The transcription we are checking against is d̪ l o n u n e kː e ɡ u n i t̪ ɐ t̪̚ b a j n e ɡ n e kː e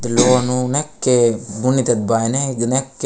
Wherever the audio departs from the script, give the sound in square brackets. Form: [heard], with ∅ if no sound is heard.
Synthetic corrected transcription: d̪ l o n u n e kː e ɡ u n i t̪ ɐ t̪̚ b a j n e ɡ n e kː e